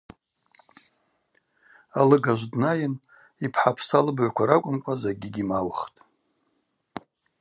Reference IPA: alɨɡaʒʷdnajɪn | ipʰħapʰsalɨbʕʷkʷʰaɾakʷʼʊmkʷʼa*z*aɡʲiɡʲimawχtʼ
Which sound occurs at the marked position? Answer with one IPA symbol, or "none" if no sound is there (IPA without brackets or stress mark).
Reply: z